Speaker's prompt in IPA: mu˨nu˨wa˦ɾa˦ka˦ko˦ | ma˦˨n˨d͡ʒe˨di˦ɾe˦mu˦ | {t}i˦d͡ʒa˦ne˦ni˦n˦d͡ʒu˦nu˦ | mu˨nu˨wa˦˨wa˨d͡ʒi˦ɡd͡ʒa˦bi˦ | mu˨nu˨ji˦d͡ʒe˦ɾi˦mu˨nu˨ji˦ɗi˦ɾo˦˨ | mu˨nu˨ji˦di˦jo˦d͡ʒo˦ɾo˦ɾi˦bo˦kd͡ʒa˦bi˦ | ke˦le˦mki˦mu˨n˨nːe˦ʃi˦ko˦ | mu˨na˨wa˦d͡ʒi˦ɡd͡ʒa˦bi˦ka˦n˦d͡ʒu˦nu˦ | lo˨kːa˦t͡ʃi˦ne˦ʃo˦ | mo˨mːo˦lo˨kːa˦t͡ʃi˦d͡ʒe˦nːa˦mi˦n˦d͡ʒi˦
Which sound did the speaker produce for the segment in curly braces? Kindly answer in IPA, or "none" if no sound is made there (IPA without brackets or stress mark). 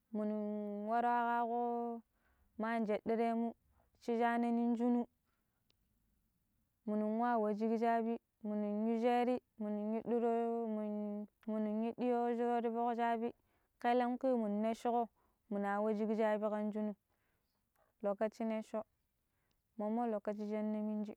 t͡ʃ